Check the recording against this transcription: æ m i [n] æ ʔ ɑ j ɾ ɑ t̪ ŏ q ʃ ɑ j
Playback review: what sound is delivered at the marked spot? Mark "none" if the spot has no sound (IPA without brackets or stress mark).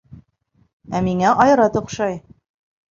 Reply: ŋ